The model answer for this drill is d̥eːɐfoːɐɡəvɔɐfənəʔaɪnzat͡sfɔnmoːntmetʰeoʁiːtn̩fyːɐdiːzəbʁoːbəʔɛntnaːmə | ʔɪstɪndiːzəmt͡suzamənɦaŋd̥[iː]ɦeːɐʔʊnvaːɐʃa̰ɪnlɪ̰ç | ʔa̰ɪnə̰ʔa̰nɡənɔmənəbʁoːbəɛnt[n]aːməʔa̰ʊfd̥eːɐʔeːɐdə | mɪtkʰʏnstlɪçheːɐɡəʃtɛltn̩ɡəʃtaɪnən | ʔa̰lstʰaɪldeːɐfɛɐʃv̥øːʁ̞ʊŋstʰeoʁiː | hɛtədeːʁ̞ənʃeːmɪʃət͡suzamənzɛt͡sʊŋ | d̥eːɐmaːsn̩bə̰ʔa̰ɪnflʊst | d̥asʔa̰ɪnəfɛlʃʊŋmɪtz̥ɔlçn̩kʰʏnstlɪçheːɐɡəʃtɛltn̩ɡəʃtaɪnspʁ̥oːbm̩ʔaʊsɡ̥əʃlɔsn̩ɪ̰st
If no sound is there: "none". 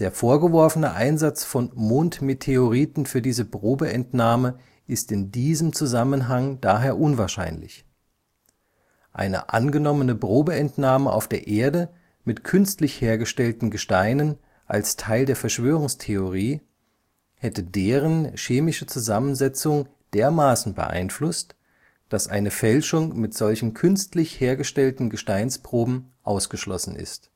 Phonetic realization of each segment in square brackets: aː, n

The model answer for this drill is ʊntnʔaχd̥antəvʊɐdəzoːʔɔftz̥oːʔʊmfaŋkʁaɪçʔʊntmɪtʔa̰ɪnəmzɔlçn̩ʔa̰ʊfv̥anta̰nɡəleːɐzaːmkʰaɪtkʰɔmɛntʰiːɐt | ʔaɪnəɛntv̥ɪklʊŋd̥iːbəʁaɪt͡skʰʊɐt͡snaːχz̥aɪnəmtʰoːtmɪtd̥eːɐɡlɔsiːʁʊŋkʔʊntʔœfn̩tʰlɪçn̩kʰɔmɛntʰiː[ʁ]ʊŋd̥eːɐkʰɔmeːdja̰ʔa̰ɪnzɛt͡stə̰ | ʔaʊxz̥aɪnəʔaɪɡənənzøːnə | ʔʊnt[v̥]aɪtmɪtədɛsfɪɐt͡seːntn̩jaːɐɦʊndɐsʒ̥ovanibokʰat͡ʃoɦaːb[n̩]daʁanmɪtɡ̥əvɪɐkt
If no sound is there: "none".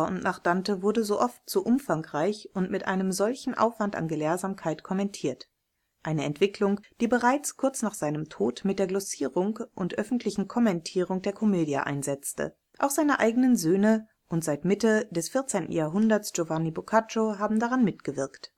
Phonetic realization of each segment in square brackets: ʁ, z̥, m̩

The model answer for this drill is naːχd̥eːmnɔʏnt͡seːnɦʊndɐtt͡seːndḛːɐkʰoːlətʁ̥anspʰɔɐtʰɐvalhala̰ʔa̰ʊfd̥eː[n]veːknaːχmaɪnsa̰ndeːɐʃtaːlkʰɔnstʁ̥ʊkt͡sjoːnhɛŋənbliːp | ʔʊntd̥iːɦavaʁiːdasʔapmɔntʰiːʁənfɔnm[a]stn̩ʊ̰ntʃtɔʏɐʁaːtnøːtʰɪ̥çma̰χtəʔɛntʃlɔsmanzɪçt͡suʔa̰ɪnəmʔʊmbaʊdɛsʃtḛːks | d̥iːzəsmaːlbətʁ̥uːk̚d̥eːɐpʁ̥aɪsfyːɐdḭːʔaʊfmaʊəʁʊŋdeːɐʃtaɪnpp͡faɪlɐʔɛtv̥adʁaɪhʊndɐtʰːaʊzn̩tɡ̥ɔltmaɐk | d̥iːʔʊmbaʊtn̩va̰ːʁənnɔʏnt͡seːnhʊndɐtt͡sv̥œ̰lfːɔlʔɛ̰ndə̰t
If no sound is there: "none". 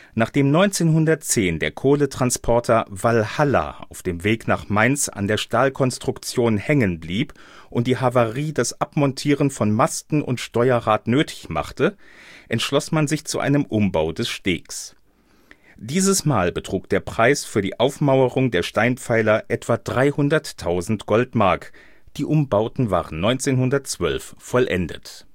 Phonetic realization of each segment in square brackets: m, a

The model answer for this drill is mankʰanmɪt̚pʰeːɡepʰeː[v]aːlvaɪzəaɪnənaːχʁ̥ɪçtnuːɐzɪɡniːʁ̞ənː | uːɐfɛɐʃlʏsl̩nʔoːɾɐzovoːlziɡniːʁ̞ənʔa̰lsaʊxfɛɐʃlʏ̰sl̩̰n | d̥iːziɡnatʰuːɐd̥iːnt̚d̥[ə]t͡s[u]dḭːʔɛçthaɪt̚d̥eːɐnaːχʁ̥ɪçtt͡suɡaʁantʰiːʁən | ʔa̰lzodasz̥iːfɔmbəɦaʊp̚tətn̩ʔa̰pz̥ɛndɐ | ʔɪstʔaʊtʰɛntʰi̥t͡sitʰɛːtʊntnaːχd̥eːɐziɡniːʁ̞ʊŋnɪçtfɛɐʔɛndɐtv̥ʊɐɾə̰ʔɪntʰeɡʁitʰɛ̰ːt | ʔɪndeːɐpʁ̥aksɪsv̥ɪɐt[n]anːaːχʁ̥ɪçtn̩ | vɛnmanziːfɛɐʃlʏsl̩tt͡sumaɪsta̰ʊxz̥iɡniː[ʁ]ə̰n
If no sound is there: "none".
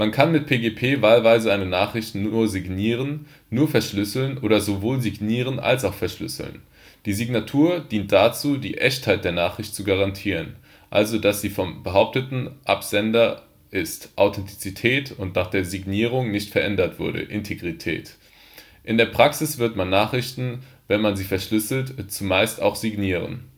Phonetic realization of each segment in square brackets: v, a, uː, m, ʁ

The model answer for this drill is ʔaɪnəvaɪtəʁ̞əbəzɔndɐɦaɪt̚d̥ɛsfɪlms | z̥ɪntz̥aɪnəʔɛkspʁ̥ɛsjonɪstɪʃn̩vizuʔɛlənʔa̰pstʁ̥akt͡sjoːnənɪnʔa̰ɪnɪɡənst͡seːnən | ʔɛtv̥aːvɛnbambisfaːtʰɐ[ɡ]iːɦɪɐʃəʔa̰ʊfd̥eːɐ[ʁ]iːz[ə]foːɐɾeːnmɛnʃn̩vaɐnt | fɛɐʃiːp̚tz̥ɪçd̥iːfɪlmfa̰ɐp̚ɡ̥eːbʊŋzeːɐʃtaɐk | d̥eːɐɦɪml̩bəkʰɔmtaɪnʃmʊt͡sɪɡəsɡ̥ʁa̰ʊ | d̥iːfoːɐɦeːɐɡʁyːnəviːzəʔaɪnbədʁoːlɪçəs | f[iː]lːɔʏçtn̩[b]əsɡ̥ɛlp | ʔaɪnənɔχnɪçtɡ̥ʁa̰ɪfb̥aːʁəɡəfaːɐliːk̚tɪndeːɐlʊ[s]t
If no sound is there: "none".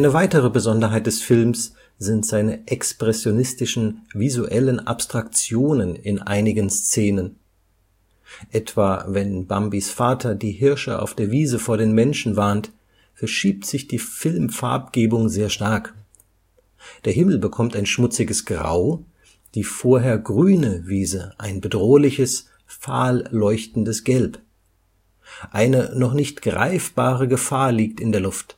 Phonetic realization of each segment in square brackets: d, v, ə, aː, d, f

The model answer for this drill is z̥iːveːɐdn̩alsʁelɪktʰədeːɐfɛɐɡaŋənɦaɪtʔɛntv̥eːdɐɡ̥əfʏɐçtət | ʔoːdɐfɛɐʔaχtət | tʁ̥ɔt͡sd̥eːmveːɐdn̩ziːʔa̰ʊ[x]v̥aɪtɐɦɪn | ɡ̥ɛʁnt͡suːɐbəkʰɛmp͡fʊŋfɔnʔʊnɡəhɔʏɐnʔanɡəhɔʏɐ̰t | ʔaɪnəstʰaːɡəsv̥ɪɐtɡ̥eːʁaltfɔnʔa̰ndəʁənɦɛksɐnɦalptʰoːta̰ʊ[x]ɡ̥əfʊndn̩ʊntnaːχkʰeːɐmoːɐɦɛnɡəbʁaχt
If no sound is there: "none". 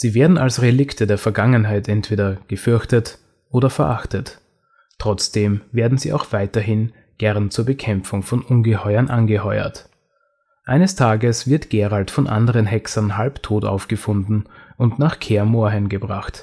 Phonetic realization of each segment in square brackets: x, f

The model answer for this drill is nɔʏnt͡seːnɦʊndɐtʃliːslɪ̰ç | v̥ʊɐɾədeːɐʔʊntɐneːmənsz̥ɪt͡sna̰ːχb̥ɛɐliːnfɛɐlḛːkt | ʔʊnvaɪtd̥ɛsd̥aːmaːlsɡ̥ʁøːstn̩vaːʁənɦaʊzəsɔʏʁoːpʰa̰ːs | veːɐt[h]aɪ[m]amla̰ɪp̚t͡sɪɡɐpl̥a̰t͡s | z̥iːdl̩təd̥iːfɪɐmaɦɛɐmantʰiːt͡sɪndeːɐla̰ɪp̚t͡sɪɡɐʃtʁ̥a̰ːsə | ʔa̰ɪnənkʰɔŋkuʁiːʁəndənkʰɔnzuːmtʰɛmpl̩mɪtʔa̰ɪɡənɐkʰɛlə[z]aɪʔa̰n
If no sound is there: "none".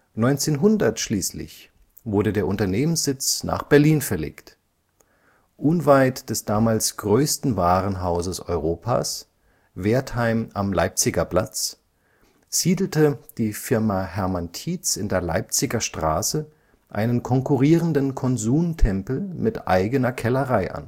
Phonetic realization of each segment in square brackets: h, m, ʁ

